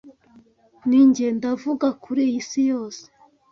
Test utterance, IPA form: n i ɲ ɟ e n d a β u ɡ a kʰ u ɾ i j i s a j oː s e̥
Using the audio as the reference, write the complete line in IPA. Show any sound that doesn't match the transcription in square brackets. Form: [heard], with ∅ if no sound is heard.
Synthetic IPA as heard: n i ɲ ɟ e n d a [v] u ɡ a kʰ u ɾ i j i s [i] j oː s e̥

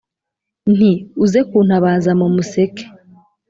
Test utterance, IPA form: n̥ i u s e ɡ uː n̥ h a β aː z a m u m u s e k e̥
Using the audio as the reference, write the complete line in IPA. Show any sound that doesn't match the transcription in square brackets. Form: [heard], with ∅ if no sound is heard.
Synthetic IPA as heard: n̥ i u [z] e [k] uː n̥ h a β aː z a m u m u s e k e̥

